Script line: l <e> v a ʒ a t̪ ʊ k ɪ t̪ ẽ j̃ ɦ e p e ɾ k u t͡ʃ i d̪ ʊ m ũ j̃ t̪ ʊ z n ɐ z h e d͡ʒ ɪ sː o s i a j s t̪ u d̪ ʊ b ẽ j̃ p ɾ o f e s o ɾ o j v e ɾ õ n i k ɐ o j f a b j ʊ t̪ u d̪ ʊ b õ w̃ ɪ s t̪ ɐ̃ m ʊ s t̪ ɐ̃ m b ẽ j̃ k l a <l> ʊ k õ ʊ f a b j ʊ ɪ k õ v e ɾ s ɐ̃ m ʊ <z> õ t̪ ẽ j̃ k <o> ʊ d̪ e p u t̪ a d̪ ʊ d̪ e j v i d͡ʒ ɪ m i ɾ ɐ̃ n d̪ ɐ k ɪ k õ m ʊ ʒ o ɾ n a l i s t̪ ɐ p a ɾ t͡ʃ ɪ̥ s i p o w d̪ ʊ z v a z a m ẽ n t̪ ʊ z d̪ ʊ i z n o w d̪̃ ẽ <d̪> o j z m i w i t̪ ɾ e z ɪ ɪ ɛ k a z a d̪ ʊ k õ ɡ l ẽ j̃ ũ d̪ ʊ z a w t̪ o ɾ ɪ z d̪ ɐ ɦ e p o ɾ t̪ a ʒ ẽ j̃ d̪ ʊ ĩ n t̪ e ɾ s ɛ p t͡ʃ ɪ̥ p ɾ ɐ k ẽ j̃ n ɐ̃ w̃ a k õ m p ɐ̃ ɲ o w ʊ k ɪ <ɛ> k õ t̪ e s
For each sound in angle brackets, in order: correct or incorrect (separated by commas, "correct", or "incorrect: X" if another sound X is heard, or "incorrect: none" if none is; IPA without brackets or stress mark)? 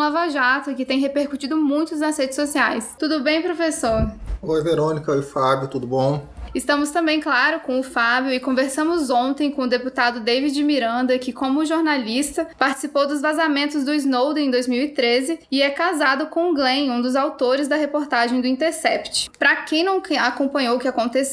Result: incorrect: a, incorrect: ɾ, correct, incorrect: õ, correct, incorrect: a